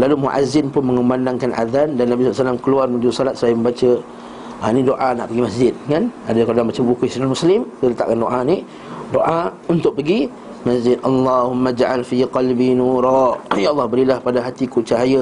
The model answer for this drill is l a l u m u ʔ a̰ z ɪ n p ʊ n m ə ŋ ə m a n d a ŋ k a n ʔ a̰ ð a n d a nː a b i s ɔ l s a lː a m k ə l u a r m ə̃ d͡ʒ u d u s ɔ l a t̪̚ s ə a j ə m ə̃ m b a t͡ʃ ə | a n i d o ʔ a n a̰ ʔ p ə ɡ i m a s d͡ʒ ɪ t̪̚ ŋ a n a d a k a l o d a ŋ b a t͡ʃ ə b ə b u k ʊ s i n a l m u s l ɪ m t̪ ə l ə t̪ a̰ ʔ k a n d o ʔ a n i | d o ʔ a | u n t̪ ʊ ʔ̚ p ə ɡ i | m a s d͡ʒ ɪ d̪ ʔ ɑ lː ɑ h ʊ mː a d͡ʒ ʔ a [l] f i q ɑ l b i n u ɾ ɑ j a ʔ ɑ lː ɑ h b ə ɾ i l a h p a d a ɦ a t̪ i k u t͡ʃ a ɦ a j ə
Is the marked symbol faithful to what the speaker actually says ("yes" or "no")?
yes